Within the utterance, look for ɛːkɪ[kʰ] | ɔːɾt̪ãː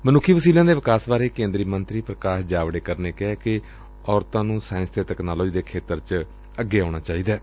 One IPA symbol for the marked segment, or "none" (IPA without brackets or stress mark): none